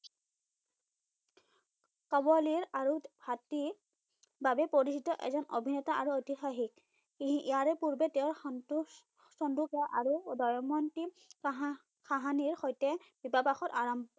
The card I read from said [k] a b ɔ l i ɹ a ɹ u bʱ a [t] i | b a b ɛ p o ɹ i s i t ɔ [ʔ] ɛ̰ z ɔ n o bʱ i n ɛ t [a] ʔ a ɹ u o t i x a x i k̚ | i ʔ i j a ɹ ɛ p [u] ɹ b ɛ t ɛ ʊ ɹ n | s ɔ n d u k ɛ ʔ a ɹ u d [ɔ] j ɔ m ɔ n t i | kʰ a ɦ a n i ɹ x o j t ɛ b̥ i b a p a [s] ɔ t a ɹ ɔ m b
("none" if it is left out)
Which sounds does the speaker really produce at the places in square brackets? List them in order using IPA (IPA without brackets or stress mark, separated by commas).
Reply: k, t, ʔ, a, u, ɔ, x